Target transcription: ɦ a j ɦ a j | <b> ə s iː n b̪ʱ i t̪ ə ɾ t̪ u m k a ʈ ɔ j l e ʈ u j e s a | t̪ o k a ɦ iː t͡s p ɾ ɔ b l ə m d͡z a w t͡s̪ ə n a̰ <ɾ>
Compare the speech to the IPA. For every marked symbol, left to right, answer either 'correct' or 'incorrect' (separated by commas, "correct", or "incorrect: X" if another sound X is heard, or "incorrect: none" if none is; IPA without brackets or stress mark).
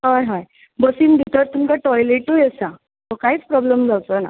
correct, incorrect: none